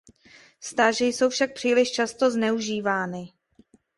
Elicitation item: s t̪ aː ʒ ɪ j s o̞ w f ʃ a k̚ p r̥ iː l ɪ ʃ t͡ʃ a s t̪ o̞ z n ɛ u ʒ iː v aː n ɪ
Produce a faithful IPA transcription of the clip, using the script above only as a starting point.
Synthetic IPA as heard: s t̪ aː ʒ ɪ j s o̞ w f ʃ a k̚ p r̥ iː l ɪ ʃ t͡ʃ a s t̪ o̞ z n ɛ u ʒ iː v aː n ɪ